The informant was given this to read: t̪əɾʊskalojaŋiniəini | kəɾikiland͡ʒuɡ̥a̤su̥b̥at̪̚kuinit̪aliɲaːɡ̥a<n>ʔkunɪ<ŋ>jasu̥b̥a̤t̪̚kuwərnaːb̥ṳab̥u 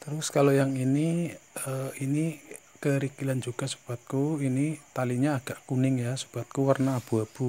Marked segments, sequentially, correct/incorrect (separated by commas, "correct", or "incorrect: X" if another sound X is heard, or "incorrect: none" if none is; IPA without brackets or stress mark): incorrect: none, correct